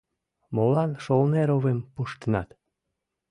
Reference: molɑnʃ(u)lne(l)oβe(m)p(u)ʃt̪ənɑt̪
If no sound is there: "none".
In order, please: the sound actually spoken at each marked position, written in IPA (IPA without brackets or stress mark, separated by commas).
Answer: o, ɾ, m, u